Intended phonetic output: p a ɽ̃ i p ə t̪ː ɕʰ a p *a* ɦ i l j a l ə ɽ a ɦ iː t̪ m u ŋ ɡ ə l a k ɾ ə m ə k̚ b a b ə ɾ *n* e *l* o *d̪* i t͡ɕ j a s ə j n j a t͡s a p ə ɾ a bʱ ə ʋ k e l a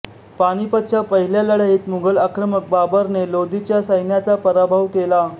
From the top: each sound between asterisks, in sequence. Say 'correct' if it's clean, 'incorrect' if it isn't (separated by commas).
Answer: incorrect, correct, correct, correct